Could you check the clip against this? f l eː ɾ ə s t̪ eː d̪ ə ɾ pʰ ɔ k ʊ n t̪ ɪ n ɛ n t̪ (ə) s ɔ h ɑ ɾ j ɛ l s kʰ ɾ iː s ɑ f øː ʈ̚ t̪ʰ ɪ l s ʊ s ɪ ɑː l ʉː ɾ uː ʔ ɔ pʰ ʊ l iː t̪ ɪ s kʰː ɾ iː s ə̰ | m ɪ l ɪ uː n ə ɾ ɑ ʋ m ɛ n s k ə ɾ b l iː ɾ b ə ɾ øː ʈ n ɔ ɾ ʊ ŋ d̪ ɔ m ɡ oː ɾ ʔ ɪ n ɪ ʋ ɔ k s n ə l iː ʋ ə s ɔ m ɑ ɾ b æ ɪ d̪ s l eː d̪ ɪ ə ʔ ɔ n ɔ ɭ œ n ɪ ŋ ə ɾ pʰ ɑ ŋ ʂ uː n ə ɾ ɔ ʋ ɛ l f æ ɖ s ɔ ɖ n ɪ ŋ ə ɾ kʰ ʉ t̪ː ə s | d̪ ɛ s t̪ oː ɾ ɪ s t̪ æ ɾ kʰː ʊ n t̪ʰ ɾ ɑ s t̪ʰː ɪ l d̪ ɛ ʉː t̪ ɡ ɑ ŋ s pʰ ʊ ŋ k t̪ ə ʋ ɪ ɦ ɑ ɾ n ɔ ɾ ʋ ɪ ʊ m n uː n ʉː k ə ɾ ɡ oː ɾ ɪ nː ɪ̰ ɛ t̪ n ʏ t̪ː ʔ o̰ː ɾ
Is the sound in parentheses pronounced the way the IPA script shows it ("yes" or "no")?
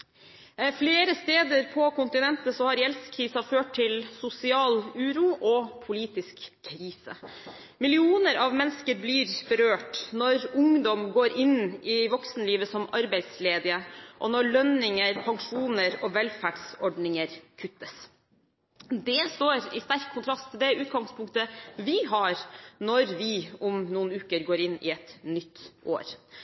yes